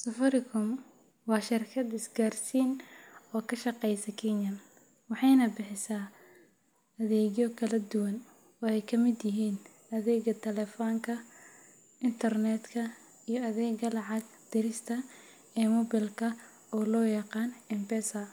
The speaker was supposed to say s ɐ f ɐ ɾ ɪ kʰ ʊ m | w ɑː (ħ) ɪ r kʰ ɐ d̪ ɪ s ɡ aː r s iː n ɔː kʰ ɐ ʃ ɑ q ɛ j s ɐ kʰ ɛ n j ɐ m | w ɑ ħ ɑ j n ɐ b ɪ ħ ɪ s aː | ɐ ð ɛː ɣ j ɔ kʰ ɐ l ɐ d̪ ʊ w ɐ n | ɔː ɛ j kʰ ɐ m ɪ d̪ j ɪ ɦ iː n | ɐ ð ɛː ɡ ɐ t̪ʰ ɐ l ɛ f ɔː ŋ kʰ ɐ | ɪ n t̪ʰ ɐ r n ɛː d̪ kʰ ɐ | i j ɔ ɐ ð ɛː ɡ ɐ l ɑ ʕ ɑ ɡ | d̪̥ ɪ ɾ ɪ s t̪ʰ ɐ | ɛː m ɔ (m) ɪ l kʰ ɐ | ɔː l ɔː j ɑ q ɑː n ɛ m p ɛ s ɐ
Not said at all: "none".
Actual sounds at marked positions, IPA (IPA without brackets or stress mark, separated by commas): ʃ, b